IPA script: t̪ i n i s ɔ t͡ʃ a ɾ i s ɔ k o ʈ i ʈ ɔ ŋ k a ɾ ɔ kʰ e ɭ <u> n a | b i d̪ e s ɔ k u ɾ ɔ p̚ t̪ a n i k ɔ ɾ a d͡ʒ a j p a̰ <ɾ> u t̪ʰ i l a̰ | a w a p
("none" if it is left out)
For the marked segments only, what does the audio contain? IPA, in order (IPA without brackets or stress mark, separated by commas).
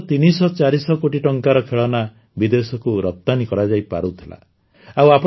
ɔ, ɾ